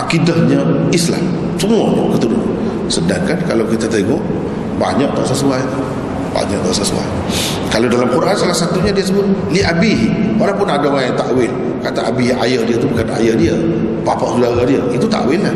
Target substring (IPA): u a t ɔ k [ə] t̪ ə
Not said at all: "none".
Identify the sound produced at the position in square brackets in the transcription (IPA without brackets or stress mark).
ə